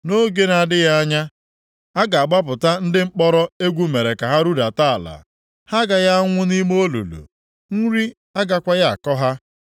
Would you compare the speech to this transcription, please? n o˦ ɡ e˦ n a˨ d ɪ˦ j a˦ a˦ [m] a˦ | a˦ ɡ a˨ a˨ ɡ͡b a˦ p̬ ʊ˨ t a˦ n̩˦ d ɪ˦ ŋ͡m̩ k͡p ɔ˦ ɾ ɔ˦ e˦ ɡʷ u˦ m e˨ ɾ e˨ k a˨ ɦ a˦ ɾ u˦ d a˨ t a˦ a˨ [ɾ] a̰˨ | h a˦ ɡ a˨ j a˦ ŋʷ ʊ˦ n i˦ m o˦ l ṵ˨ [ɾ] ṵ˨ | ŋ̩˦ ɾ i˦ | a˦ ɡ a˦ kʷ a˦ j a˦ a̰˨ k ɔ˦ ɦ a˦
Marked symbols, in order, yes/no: no, no, no

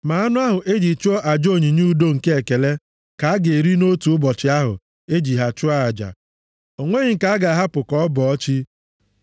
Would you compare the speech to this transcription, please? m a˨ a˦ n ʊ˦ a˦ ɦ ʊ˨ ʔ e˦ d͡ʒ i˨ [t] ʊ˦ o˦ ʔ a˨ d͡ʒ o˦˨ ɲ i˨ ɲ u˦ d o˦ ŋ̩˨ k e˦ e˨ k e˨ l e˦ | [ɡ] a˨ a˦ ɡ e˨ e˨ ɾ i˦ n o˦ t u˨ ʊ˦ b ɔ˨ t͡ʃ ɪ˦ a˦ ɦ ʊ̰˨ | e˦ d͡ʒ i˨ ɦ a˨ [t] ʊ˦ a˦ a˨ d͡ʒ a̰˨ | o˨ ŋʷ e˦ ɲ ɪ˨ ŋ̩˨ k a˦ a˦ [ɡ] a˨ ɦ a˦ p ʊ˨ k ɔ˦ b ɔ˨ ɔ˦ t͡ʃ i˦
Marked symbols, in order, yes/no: no, no, no, yes

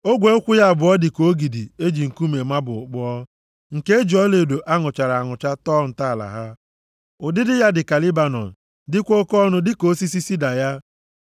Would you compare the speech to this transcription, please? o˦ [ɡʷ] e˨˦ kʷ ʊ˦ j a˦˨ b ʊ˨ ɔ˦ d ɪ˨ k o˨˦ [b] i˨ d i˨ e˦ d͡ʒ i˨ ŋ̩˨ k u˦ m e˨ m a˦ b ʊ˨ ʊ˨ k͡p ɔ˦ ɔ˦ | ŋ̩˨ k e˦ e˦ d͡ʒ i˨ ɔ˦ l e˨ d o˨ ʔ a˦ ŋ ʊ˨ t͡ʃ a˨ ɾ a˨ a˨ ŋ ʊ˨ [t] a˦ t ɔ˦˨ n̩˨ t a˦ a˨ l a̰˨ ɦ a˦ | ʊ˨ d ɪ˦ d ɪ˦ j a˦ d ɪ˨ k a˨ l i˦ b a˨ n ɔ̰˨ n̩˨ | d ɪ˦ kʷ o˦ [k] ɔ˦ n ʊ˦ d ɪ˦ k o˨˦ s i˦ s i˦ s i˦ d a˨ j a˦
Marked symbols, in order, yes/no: yes, no, no, yes

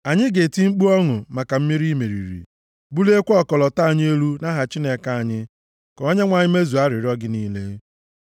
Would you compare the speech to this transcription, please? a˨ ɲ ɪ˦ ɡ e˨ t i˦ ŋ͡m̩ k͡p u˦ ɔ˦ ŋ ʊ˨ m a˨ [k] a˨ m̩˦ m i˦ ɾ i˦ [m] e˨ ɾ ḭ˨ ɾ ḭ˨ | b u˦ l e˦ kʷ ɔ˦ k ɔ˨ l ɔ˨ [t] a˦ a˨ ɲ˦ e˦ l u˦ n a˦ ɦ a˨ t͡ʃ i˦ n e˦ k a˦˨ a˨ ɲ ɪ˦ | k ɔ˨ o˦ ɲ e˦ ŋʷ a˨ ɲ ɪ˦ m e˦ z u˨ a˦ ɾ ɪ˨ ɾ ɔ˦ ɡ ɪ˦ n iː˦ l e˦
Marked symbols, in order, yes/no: yes, yes, yes

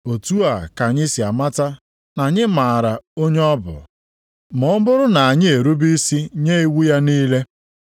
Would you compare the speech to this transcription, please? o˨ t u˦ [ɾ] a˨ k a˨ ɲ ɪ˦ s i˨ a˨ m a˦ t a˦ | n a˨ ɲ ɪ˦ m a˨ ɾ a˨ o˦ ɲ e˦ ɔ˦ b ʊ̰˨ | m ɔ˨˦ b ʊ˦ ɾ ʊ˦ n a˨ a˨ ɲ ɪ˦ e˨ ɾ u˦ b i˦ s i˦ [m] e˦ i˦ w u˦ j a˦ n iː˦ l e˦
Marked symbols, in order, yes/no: no, no

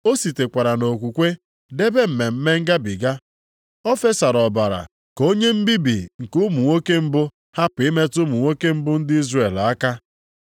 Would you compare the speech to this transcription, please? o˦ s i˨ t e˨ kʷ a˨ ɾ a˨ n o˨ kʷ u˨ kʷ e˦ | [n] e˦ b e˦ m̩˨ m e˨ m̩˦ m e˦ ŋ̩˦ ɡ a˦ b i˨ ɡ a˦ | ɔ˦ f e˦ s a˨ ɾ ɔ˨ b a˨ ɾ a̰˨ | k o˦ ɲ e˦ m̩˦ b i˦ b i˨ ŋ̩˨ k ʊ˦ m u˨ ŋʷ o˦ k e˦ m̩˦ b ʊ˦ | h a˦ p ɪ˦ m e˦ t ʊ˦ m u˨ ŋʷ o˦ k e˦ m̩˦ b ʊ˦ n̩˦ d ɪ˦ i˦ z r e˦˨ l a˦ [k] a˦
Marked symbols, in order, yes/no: no, yes

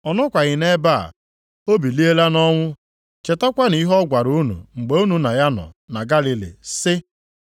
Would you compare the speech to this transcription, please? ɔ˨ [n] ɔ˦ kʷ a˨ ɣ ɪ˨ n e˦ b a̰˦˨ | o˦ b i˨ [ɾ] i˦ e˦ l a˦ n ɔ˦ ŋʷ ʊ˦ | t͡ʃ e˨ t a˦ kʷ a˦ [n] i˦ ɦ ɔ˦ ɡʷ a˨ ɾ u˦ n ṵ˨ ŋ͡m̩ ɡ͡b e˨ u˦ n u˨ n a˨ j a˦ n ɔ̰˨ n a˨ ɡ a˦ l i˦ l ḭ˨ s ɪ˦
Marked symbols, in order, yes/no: yes, no, yes

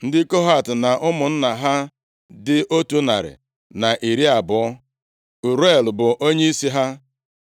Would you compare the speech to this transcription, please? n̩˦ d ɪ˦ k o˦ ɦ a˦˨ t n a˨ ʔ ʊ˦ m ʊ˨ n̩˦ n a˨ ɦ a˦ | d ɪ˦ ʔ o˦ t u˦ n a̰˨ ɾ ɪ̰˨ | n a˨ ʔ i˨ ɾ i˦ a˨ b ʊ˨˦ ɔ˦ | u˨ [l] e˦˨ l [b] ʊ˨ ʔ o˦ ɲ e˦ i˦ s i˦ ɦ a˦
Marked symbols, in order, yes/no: no, yes

